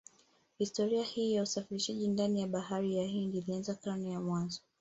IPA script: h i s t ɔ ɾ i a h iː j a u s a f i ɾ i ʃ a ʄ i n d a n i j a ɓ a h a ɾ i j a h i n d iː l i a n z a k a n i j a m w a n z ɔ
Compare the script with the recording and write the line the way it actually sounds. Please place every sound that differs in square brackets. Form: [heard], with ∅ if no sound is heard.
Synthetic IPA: h i s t ɔ ɾ i a h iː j a u s a f i ɾ i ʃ a ʄ i n d a n i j a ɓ a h a ɾ i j a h i n d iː l i a n z a k a n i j a m w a n z ɔ